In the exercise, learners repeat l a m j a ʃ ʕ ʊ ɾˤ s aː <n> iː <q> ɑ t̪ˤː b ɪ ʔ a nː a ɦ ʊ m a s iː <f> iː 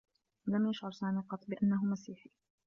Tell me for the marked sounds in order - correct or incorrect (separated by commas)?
incorrect, correct, incorrect